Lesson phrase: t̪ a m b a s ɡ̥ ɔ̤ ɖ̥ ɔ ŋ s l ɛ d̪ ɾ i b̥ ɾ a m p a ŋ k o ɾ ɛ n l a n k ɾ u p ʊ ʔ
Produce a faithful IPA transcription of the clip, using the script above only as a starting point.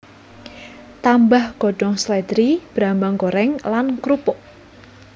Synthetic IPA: t̪ a m b a h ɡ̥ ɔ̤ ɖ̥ ɔ ŋ s l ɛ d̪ ɾ i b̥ ɾ a m b a ŋ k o ɾ ɛ ŋ l a n k ɾ u p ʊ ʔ